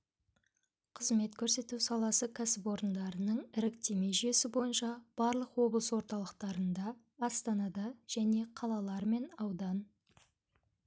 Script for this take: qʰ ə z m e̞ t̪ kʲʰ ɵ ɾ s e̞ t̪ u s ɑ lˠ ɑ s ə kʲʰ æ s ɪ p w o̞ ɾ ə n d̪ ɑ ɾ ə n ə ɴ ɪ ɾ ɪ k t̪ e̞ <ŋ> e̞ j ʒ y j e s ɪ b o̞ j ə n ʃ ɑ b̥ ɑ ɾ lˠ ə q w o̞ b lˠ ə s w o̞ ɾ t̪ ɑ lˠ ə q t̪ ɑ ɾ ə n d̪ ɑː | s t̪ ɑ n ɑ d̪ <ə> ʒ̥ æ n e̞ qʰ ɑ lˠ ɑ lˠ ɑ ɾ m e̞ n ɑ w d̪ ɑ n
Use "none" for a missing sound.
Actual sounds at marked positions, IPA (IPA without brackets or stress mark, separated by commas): m, ɑ